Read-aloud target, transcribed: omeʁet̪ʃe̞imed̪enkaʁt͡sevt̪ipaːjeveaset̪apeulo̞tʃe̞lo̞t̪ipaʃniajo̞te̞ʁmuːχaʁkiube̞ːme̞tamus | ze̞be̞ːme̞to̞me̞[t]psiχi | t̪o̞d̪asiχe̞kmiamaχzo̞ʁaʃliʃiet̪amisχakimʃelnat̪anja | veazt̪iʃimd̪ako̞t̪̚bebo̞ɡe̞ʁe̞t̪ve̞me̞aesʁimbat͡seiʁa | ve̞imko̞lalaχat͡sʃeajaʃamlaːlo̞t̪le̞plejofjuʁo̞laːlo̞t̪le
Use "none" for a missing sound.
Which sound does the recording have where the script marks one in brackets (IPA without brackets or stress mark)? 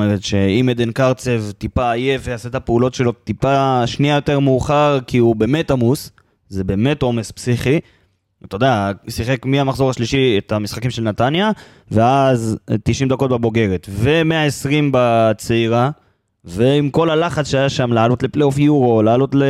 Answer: s